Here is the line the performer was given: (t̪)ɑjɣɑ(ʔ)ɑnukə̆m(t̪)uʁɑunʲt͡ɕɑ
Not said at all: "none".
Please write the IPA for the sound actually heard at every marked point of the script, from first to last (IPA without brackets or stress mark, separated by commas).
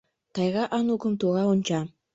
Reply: t̪, ʔ, t̪